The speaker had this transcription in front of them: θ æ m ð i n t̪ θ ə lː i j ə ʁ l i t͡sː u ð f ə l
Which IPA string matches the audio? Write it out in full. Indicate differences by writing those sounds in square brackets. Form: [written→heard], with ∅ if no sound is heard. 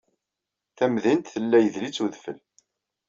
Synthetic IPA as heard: θ æ m ð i n t̪ θ ə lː [i→æ] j ə [ʁ→ð] l i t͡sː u ð f ə l